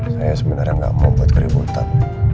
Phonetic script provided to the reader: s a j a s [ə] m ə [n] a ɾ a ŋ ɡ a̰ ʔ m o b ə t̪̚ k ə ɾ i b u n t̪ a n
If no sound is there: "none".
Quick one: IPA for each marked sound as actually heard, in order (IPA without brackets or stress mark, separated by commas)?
ə, n